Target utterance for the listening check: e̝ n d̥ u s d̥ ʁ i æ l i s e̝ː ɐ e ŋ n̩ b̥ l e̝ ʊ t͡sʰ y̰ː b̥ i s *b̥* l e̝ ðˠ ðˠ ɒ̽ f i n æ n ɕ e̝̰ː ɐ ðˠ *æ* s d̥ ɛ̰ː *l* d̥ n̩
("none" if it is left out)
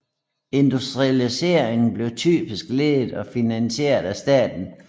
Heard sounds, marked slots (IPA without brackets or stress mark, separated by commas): ɡ̥, æ, none